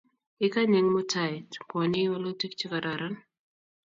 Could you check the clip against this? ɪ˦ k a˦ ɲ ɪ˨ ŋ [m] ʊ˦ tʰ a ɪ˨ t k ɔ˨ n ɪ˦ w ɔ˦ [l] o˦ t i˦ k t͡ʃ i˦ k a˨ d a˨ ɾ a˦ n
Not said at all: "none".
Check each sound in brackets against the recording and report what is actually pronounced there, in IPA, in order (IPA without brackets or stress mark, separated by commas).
m, l